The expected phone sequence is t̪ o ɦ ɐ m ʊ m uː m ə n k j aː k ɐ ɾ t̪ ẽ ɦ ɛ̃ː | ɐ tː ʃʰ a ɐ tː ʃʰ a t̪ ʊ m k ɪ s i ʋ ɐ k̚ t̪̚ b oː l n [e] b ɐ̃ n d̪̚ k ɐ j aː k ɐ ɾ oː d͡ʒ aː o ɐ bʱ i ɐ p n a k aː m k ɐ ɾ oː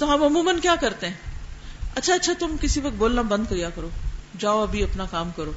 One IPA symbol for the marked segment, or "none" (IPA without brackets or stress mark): a